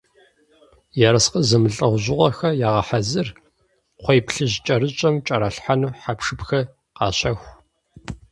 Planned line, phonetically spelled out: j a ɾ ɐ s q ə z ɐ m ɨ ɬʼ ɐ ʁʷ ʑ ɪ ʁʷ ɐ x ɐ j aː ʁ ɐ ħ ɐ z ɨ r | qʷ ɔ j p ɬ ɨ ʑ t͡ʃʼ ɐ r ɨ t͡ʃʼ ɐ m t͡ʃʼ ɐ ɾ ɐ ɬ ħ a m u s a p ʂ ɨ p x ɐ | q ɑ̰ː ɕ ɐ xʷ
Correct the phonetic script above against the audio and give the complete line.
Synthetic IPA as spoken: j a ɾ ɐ s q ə z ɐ m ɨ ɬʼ ɐ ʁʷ ʑ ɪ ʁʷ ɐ x ɐ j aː ʁ ɐ ħ a z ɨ r | qʷ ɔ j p ɬ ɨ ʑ t͡ʃʼ ɐ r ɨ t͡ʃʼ ɐ m t͡ʃʼ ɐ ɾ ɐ ɬ ħ a n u ħ a p ʂ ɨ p x ɐ | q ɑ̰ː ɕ ɐ xʷ